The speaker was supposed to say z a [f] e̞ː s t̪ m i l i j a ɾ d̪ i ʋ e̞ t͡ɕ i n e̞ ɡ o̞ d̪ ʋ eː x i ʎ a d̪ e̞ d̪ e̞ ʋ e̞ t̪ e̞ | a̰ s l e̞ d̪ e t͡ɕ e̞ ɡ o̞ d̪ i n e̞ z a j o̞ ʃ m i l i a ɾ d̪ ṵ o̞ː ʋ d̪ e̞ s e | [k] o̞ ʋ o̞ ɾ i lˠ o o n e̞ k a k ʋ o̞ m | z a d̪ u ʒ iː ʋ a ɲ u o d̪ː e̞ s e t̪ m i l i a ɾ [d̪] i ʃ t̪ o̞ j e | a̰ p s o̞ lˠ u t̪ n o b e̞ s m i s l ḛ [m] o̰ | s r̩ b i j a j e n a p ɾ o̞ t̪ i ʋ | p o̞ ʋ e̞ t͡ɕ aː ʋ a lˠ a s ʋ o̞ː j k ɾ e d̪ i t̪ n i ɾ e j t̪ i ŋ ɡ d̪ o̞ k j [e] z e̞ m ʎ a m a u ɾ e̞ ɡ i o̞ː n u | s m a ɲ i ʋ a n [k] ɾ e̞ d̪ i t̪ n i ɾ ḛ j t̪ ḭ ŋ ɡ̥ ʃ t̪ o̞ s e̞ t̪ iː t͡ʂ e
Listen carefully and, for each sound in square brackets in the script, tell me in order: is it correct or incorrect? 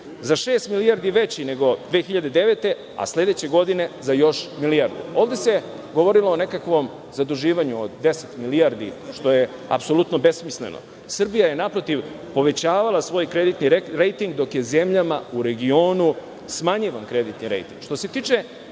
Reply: incorrect: ʃ, incorrect: ɡ, correct, incorrect: n, correct, correct

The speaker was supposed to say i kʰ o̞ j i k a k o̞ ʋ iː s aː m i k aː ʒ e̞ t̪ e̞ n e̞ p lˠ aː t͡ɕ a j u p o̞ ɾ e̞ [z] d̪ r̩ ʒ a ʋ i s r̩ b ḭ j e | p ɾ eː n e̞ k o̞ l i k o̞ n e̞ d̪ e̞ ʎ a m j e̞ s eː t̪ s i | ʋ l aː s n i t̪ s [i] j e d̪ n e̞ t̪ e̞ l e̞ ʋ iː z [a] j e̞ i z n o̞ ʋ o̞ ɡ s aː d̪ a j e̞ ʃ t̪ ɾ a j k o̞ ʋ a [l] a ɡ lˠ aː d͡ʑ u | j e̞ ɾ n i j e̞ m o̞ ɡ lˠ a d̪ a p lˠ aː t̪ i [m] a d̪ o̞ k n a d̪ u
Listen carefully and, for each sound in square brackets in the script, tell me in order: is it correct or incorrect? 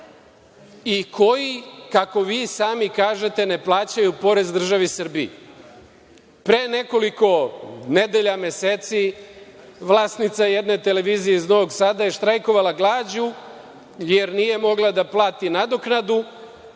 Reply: correct, incorrect: a, incorrect: i, correct, incorrect: n

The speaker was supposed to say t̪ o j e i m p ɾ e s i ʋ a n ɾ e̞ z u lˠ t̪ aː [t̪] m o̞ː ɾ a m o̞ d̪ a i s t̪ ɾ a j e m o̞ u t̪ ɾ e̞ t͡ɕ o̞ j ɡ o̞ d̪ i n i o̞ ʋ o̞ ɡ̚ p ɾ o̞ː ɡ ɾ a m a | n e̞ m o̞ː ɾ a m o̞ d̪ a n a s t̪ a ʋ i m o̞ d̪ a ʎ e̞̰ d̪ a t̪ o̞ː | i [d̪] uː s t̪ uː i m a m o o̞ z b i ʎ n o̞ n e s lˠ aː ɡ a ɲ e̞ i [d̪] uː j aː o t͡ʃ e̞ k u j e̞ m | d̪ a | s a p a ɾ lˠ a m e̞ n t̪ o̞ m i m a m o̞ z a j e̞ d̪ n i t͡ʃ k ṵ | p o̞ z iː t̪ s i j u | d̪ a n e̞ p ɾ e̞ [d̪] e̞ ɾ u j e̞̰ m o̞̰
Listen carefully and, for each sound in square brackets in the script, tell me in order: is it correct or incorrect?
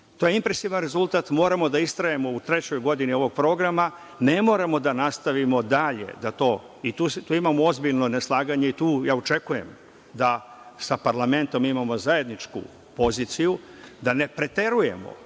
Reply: correct, incorrect: t̪, incorrect: t̪, incorrect: t̪

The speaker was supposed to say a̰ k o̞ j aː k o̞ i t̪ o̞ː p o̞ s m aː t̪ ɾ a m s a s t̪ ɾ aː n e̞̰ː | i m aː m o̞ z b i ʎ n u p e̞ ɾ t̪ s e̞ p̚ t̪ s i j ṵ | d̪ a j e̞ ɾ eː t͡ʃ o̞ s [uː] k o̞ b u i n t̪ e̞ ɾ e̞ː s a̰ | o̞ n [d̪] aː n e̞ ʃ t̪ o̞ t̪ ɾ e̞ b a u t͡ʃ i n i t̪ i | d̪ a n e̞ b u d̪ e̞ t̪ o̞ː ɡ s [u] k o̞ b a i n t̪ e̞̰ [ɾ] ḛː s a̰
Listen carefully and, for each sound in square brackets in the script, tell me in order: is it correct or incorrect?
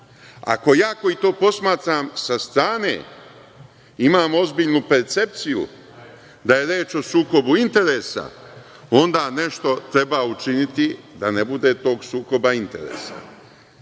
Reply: correct, correct, incorrect: uː, correct

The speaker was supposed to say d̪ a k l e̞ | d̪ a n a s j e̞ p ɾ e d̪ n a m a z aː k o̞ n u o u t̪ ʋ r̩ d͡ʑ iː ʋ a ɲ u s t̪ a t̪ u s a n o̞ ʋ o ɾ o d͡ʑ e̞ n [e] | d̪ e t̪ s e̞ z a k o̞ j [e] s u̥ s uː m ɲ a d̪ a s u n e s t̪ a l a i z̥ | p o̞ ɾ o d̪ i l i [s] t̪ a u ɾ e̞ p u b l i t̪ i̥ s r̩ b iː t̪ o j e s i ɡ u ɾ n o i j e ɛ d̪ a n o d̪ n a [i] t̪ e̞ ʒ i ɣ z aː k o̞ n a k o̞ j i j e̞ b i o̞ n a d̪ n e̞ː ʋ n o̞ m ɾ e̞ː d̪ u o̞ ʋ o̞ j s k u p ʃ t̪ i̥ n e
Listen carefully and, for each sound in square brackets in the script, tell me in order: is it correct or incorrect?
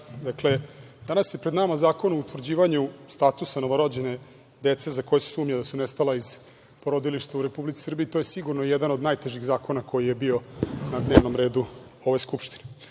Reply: correct, correct, incorrect: ʃ, incorrect: j

